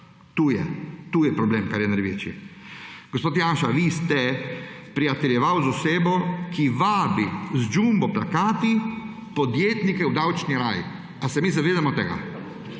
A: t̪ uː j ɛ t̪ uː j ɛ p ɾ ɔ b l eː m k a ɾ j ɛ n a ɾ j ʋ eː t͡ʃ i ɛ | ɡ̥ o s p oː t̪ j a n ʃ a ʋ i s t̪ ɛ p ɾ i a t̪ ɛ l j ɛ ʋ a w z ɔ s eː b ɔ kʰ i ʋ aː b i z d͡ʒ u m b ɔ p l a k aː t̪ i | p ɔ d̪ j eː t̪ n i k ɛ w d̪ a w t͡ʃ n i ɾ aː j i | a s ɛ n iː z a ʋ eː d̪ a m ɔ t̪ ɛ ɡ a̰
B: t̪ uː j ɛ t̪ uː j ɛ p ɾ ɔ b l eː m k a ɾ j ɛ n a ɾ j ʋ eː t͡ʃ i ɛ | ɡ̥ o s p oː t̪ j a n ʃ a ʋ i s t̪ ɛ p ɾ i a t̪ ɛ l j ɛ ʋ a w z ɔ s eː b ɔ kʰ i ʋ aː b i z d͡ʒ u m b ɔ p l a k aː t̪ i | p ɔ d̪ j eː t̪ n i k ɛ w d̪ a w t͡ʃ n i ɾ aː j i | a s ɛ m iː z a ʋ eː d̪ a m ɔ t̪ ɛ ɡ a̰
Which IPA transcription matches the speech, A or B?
B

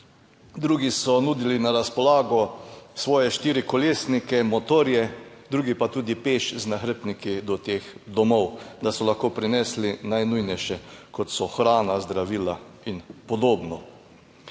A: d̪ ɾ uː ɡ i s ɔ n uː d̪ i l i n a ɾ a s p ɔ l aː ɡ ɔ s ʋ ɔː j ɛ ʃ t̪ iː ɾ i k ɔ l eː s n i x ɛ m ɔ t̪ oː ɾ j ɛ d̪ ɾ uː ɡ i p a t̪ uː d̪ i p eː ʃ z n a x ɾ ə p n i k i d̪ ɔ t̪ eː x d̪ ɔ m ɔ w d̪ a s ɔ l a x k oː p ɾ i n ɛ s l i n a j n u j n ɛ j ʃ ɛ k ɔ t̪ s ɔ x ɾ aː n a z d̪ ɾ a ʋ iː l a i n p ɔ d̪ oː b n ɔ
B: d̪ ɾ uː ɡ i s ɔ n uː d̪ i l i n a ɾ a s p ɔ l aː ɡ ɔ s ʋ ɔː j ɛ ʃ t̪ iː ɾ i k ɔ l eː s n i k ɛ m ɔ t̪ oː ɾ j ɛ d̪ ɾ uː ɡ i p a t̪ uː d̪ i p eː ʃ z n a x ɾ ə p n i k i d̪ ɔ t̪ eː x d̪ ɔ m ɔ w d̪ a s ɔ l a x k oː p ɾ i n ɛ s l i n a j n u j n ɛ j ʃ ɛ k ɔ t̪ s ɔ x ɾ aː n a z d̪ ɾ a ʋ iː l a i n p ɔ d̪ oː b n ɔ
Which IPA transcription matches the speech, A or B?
B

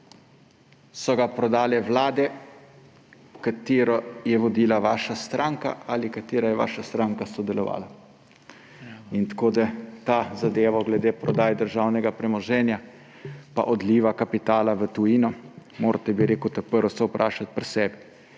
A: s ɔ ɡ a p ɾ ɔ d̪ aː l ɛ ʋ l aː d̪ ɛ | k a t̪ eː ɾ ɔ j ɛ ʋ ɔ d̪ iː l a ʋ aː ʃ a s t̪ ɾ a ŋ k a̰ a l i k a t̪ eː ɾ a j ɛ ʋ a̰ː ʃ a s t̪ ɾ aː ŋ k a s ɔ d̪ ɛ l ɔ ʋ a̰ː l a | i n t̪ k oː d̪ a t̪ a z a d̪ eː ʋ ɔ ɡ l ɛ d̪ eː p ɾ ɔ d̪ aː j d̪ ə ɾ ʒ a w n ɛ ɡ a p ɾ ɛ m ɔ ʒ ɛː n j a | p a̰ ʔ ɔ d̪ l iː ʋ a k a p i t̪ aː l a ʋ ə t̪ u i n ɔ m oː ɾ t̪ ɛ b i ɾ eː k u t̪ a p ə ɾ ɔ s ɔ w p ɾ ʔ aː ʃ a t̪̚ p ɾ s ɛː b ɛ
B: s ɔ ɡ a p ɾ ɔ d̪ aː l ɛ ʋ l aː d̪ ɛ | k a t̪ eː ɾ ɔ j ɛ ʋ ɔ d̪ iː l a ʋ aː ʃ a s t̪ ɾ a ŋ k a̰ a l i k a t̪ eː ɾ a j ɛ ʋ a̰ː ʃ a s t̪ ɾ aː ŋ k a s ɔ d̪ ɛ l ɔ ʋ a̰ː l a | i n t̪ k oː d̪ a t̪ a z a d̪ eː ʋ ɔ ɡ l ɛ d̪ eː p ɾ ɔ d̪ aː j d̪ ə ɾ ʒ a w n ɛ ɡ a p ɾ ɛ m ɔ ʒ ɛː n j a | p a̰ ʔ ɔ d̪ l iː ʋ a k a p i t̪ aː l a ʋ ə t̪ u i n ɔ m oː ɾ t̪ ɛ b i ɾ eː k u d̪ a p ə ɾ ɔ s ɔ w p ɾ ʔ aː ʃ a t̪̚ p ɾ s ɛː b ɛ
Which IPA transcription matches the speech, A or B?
A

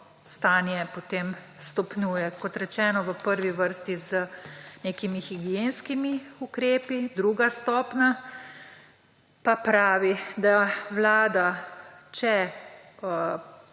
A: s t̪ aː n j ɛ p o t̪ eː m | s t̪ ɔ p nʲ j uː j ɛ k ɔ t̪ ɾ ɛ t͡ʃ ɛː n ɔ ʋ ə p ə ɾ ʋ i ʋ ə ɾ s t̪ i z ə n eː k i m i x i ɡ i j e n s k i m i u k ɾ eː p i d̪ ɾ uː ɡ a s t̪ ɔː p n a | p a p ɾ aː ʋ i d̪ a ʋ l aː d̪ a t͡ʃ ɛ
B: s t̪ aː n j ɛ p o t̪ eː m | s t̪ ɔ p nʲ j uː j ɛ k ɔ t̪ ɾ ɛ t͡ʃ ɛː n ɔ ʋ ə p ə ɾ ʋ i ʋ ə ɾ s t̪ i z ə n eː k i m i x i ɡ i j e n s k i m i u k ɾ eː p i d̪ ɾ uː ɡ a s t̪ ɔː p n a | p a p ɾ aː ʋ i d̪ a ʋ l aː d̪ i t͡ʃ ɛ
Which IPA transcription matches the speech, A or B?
A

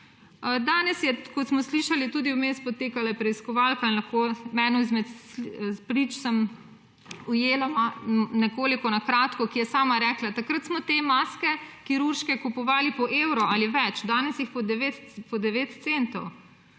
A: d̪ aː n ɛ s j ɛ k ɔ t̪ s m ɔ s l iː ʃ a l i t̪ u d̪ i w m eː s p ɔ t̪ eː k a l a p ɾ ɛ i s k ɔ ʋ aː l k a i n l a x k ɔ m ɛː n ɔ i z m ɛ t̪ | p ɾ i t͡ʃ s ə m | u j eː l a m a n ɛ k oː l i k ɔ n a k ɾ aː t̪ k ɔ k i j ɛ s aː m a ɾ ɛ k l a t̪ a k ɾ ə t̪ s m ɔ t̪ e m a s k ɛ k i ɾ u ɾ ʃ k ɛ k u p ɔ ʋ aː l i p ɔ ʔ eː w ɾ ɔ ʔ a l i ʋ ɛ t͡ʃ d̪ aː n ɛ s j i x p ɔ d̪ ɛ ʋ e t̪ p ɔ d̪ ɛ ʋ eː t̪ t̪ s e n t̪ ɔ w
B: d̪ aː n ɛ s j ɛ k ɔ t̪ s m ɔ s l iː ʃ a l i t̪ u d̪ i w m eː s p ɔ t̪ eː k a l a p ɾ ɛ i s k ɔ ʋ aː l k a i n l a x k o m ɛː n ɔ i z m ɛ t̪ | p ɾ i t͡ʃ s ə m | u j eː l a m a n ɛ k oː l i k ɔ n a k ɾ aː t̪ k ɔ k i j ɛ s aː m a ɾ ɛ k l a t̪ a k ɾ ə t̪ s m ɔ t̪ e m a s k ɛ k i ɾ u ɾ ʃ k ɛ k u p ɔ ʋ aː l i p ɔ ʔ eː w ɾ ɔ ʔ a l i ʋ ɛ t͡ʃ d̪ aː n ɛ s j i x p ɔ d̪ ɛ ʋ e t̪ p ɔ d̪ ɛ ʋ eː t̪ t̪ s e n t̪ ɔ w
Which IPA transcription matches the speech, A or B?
B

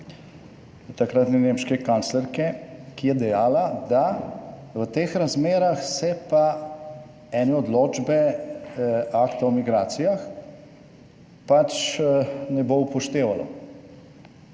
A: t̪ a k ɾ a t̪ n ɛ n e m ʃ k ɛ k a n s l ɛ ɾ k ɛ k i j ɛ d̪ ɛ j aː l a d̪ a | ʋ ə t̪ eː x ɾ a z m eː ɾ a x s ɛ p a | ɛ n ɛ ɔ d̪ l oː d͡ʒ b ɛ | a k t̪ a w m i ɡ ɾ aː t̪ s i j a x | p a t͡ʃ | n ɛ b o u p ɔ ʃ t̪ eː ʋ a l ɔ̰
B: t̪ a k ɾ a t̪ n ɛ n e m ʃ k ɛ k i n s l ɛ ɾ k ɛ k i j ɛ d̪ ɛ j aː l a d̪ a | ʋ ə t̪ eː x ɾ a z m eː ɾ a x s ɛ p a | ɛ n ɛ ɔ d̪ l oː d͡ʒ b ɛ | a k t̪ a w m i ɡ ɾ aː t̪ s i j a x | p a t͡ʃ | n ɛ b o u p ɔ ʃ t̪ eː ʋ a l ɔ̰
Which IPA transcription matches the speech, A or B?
A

